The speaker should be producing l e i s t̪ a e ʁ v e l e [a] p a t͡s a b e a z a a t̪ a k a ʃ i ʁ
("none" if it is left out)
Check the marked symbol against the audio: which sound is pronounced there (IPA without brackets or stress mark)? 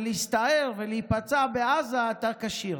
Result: i